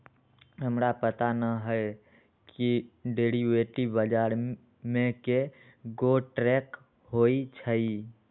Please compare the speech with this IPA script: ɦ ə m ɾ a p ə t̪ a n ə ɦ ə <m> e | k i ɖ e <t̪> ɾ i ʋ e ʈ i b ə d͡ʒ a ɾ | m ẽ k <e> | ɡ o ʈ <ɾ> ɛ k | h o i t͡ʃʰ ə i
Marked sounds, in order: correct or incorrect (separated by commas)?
incorrect, incorrect, correct, correct